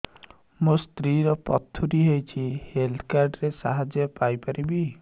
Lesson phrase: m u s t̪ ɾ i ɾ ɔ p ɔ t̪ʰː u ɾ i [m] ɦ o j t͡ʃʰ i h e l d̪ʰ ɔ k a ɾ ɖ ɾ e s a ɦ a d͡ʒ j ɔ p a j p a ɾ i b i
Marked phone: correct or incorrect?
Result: incorrect